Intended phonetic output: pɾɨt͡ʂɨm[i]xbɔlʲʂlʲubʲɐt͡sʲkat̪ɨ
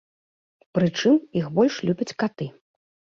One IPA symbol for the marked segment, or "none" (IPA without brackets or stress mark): i